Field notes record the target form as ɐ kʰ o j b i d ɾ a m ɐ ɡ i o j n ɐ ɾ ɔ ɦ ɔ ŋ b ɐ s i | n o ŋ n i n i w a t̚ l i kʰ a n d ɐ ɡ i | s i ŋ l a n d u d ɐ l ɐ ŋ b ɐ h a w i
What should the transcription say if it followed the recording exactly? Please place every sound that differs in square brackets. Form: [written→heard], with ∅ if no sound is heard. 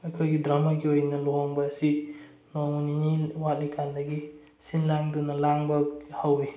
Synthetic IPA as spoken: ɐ kʰ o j [b→ɡ] i d ɾ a m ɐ ɡ i o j n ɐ [ɾ→l] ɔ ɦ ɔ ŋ b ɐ s i | n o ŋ n i n i w a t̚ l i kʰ a n d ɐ ɡ i | s i [ŋ→n] l a [n→ŋ] d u [d→n] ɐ l [ɐ→a] ŋ b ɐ h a w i